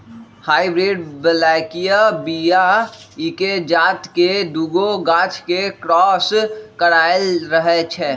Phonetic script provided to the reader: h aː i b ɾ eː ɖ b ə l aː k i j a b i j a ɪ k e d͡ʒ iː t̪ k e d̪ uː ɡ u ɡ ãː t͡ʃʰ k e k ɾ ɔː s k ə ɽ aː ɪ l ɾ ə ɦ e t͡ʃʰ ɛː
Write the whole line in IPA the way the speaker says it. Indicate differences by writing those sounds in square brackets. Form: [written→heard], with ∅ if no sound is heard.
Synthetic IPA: h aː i b ɾ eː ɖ b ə l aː k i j a b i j a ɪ k e d͡ʒ [iː→aː] t̪ k e d̪ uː ɡ [u→o] ɡ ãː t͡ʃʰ k e k ɾ ɔː s k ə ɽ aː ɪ l ɾ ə ɦ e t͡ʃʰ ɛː

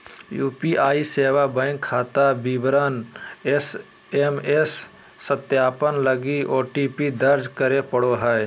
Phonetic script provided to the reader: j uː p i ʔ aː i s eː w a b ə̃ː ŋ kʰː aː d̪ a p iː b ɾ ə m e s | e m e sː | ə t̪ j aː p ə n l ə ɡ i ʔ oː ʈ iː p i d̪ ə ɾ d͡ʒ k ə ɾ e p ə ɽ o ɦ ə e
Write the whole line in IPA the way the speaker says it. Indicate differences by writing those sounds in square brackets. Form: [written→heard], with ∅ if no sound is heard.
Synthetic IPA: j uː p i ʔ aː i s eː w a b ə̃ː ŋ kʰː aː [d̪→t̪] a [p→b] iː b ɾ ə [m→n] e s | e m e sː | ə t̪ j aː p ə n l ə ɡ i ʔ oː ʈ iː p i d̪ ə ɾ d͡ʒ k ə ɾ e p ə ɽ o ɦ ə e

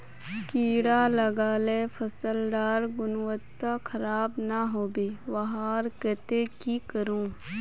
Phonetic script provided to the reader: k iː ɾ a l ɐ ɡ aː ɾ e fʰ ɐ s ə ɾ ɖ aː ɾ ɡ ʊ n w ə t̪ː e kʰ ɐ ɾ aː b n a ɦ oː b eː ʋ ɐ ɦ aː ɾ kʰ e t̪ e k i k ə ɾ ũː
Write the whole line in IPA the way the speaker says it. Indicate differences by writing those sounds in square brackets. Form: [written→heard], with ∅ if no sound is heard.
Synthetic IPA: k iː [ɾ→ɽ] a l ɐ ɡ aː [ɾ→l] e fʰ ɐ s ə [ɾ→l] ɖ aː ɾ ɡ ʊ n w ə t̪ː [e→a] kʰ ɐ ɾ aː b n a ɦ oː b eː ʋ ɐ ɦ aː ɾ [kʰ→k] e t̪ e k i k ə ɾ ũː

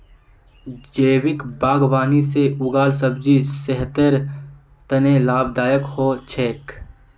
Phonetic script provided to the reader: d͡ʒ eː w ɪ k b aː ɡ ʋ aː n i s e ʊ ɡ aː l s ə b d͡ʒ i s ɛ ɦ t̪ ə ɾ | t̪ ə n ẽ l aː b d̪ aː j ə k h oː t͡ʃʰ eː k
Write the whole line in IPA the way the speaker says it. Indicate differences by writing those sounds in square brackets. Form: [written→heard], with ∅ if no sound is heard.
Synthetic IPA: d͡ʒ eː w ɪ k b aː ɡ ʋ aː n i s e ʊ ɡ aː l s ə b d͡ʒ i s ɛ ɦ t̪ ə ɾ | t̪ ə n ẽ l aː b d̪ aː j ə k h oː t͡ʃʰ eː k

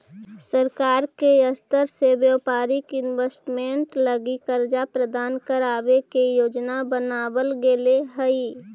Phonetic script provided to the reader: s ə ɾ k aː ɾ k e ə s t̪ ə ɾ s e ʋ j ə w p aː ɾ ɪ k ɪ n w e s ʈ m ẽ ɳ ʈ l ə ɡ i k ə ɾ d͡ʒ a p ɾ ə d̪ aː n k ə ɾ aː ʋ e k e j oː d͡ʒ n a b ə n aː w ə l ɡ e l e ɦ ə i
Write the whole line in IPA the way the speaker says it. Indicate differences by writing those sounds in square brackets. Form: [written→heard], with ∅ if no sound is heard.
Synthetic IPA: s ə ɾ k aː ɾ k e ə s t̪ ə ɾ s e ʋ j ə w p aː ɾ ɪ k ɪ n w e s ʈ m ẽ ɳ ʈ l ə ɡ i k ə ɾ d͡ʒ a p ɾ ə d̪ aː n k ə ɾ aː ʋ e k e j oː d͡ʒ n a b ə n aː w ə l ɡ e l e ɦ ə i

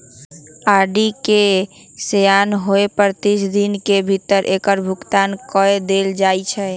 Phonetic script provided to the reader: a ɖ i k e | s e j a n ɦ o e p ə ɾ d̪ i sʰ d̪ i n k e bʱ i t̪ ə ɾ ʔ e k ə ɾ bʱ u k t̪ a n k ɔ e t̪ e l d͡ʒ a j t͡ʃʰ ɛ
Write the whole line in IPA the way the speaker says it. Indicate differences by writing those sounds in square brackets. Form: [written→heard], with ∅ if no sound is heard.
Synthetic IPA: a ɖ i k e | s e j a n ɦ o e p ə ɾ [d̪→t̪] i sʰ d̪ i n k e bʱ i t̪ ə ɾ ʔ e k ə ɾ bʱ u k t̪ a n k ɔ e [t̪→d̪] e l d͡ʒ a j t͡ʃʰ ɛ

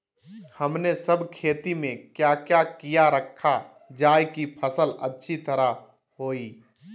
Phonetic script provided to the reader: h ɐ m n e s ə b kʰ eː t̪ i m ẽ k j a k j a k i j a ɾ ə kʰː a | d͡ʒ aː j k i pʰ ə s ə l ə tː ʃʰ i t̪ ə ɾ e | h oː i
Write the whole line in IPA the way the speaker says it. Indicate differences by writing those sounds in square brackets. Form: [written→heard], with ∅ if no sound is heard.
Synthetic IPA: h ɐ m n e s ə b kʰ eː t̪ i m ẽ k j a k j a k i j a ɾ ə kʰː a | d͡ʒ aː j k i pʰ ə s ə l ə tː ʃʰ i t̪ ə ɾ [e→a] | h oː i

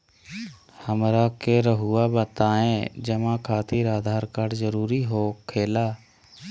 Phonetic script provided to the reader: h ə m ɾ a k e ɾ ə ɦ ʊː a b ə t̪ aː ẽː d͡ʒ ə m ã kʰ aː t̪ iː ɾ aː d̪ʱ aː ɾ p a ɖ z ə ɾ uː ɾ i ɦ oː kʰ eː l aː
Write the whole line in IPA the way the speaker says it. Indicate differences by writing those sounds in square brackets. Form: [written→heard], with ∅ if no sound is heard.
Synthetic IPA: h ə m ɾ a k e ɾ ə ɦ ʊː a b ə t̪ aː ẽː d͡ʒ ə m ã kʰ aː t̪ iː ɾ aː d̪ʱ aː ɾ [p→k] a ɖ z ə ɾ uː ɾ i ɦ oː kʰ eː l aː

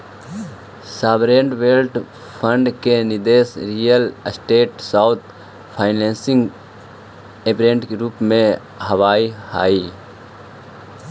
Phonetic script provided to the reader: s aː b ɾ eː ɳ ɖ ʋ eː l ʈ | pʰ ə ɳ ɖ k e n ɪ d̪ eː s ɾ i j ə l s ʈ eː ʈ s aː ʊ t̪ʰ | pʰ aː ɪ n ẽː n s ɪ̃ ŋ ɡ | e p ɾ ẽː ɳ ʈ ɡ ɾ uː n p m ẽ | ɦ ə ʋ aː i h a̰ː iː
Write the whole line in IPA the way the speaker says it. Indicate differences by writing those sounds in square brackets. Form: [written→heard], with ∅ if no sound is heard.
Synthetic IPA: s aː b ɾ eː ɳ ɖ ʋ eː l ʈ | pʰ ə ɳ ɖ k e n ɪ d̪ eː s ɾ i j ə l s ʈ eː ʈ s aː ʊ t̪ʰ | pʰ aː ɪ n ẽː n s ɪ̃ ŋ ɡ | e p ɾ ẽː ɳ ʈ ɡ ɾ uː [n→∅] p m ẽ | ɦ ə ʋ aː i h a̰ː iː

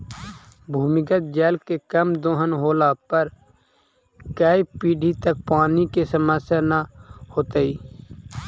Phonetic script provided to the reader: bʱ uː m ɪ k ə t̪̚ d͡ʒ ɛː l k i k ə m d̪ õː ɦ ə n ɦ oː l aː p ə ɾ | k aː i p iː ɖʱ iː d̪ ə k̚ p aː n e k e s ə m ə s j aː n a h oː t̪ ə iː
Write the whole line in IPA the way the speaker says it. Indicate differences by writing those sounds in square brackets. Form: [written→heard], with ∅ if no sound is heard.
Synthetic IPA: bʱ uː m ɪ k ə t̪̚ d͡ʒ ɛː l k [i→e] k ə m d̪ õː ɦ ə n ɦ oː l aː p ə ɾ | k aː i p iː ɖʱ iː [d̪→t̪] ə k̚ p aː n [e→i] k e s ə m ə s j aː n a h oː t̪ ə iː

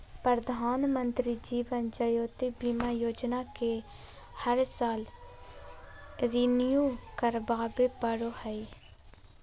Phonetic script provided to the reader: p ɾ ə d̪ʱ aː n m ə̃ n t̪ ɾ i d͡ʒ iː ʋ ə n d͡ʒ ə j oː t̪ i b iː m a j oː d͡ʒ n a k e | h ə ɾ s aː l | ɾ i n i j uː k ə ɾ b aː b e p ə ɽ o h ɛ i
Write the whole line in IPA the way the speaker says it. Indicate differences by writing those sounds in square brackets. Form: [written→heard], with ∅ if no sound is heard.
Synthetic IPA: p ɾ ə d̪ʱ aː n m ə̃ n t̪ ɾ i d͡ʒ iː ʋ ə n d͡ʒ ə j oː t̪ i b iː m a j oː d͡ʒ n a k e | h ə ɾ s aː l | ɾ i n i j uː k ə ɾ b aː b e p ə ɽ o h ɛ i

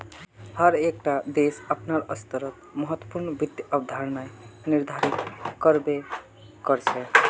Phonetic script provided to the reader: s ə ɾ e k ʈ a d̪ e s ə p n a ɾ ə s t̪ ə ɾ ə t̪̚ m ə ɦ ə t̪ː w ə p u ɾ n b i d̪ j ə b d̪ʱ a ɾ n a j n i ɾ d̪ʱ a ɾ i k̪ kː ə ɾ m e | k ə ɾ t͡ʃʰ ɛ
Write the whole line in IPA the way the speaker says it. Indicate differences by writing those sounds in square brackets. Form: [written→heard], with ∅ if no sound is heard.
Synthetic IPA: [s→h] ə ɾ e k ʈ a d̪ e s ə p n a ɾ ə s t̪ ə ɾ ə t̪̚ m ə ɦ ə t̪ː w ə p u ɾ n b i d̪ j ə b d̪ʱ a ɾ n a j n i ɾ d̪ʱ a ɾ i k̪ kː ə ɾ [m→b] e | k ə ɾ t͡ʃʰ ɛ

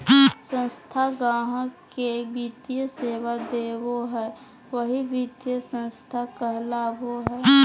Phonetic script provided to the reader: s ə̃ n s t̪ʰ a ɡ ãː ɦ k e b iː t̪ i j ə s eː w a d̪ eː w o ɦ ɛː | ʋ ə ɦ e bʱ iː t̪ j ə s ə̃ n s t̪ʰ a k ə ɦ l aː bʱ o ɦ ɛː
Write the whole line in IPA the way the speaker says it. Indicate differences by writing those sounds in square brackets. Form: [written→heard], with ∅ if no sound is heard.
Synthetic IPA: s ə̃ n s t̪ʰ a ɡ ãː ɦ k e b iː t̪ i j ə s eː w a d̪ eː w o ɦ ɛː | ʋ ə ɦ [e→i] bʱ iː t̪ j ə s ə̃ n s t̪ʰ a k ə ɦ l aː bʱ o ɦ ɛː

